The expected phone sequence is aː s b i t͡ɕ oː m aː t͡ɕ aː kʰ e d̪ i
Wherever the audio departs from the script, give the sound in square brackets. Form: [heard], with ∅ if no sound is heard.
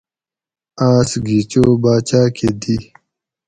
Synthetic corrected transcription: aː s [ɡ] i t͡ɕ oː [b] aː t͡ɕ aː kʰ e d̪ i